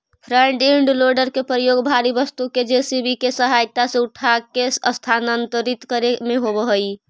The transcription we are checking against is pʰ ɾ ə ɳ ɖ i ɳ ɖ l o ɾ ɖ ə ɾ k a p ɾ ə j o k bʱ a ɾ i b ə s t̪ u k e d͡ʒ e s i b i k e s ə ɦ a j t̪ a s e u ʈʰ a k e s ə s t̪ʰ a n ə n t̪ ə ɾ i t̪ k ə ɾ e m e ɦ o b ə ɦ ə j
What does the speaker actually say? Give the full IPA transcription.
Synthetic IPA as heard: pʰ ɾ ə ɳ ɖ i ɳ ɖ l o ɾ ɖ ə ɾ k e p ɾ ə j o ɡ bʱ a ɾ i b ə s t̪ u k e d͡ʒ e s i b i k e s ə ɦ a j t̪ a s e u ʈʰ a k e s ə s t̪ʰ a n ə n t̪ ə ɾ i t̪ k ə ɾ e m e ɦ o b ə ɦ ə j